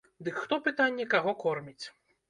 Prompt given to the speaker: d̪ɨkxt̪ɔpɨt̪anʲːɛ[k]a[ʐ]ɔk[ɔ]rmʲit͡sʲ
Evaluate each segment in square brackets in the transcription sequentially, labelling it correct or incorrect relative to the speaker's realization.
correct, incorrect, correct

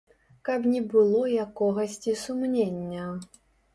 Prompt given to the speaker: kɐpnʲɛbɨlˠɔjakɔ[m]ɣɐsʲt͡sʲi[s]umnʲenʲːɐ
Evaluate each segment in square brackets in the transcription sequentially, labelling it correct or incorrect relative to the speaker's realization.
incorrect, correct

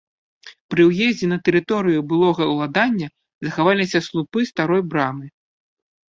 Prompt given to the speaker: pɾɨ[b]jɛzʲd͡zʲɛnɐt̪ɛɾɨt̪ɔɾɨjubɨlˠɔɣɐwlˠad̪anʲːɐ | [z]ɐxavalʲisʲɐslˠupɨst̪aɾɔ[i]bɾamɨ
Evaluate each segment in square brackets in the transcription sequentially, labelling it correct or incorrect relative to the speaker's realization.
incorrect, correct, incorrect

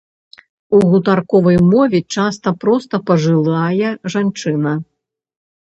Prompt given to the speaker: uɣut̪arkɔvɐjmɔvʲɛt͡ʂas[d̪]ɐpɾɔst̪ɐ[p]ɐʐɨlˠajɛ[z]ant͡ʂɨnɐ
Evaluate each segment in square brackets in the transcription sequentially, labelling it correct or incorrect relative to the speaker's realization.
incorrect, correct, incorrect

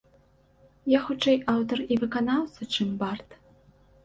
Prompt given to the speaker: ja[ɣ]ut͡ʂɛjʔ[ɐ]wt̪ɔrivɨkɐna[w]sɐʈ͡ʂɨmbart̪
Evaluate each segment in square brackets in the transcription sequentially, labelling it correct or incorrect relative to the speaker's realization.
incorrect, incorrect, correct

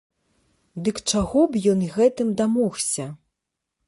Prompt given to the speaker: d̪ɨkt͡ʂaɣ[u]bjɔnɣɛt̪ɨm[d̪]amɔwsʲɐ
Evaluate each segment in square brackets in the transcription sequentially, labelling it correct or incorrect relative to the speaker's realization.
incorrect, correct

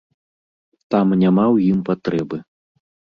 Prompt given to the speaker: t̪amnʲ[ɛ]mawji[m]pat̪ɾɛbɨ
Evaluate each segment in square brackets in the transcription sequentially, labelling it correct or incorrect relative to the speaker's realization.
incorrect, correct

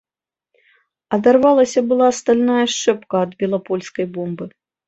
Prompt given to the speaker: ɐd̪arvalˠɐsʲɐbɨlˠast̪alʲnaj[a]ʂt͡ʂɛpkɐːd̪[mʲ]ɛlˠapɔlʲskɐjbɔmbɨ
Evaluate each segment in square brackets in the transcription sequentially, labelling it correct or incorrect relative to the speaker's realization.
incorrect, incorrect

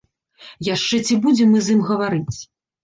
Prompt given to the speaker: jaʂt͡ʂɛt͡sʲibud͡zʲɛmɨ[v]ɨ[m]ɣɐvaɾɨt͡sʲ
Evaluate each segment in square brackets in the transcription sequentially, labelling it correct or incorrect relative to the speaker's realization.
incorrect, correct

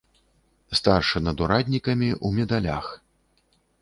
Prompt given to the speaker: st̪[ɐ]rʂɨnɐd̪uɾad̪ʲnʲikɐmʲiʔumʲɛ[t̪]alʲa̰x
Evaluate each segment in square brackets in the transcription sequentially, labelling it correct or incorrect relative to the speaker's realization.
incorrect, incorrect

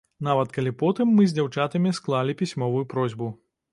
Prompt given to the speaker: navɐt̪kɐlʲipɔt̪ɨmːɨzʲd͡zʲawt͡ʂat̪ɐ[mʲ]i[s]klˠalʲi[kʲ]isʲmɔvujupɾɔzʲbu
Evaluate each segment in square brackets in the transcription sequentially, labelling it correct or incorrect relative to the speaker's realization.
correct, correct, incorrect

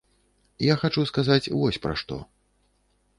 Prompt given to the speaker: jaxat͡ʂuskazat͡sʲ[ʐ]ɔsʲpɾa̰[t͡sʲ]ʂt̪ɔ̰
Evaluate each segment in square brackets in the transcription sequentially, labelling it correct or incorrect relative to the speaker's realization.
incorrect, incorrect

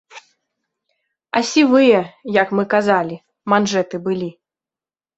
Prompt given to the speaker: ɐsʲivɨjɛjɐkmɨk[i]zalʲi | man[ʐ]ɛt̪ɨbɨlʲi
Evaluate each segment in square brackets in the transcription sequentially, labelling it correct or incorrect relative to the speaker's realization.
incorrect, correct

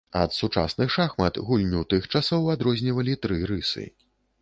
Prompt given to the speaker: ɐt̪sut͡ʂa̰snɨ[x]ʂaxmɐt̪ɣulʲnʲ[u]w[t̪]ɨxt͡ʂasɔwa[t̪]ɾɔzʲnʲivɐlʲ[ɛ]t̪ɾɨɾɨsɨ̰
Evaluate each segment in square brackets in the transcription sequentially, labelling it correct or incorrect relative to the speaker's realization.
correct, correct, correct, incorrect, incorrect

